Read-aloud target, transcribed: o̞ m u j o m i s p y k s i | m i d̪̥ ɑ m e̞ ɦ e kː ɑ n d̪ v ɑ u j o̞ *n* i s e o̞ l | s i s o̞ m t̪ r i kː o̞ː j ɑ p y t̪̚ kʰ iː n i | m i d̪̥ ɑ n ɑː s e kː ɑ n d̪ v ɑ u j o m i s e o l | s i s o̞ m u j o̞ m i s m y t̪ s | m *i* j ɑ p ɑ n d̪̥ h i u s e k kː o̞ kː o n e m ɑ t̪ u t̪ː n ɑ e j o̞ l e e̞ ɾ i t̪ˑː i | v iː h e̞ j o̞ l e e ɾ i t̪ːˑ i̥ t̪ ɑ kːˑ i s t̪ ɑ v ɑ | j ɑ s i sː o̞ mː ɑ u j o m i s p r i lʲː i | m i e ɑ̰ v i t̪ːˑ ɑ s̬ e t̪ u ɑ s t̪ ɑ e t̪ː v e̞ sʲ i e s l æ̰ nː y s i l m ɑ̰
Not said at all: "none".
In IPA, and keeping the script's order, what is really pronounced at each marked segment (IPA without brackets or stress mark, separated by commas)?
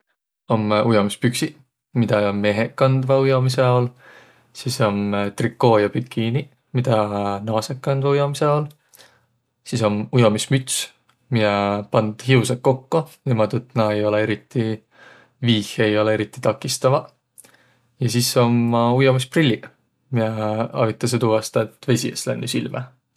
m, i